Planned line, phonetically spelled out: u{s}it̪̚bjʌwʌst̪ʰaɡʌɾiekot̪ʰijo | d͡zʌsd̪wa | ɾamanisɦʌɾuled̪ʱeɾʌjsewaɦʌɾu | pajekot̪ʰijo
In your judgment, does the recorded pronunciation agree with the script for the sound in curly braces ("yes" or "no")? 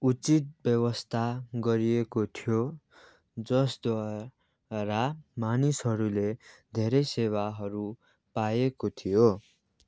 no